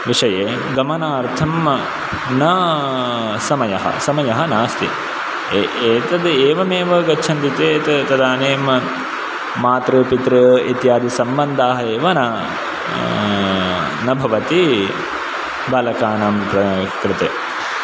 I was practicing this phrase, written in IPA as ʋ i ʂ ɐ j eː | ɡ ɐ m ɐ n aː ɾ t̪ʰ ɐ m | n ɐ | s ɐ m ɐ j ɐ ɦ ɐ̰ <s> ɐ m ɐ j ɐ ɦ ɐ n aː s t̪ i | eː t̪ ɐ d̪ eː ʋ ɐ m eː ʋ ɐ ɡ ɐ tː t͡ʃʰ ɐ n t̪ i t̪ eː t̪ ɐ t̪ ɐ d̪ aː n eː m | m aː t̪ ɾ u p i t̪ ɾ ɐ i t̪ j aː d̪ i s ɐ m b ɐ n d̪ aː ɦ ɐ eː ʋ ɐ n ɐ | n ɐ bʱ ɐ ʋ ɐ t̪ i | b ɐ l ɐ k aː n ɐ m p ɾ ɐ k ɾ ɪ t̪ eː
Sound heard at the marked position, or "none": s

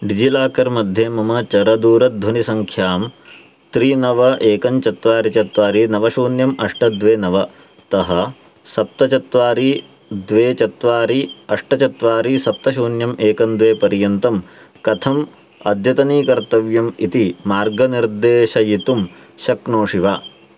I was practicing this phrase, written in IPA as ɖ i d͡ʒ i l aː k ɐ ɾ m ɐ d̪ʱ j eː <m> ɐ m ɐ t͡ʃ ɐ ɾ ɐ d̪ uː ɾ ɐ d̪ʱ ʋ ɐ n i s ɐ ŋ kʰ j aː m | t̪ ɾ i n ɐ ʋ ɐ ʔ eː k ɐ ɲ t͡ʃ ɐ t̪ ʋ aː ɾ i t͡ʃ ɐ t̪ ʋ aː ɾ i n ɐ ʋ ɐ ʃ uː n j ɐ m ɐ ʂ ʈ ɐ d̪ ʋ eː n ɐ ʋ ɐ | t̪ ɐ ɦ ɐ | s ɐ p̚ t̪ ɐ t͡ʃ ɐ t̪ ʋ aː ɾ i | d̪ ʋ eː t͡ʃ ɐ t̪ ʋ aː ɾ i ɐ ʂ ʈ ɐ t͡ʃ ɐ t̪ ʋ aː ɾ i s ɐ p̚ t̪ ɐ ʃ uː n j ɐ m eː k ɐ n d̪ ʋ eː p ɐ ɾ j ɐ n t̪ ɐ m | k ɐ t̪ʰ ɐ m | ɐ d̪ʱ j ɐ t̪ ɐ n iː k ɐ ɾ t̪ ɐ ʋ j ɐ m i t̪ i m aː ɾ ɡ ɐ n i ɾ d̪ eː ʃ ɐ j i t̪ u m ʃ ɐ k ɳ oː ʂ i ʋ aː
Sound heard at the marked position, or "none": m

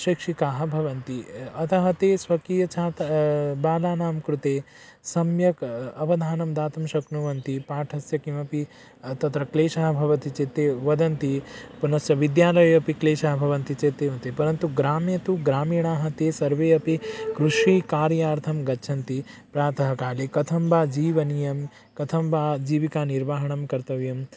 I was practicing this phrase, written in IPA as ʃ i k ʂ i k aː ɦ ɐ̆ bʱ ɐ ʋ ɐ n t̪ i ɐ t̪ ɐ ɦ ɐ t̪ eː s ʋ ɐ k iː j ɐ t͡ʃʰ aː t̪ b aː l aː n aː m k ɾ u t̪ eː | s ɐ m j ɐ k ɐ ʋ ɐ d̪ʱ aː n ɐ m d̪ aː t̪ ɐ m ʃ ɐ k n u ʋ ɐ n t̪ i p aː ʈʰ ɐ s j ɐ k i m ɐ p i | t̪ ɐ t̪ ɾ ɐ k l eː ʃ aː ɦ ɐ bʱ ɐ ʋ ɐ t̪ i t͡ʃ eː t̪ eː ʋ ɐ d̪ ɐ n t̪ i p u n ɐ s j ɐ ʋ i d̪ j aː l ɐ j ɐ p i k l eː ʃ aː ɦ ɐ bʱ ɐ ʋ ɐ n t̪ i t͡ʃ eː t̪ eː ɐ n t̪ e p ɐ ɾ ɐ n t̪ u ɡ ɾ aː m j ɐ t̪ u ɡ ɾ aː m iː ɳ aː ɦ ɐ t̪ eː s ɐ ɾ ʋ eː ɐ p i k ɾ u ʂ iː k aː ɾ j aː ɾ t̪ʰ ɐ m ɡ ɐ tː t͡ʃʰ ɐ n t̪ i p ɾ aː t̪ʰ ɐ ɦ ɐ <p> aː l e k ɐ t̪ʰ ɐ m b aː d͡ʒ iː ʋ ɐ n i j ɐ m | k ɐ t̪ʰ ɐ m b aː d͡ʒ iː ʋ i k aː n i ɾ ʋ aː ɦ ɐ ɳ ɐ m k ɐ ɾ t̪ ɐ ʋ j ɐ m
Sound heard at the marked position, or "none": k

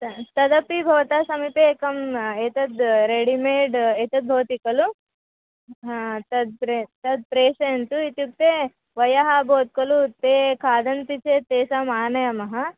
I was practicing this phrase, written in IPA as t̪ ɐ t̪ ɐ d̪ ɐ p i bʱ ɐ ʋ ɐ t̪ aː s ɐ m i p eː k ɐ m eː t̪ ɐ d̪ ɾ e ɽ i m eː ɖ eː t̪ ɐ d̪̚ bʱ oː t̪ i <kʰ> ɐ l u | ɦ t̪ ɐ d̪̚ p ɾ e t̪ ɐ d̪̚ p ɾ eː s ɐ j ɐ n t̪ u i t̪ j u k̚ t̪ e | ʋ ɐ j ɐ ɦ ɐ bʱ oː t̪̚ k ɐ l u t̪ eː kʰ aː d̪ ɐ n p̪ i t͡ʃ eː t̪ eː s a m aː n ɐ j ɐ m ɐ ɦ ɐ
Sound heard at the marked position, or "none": k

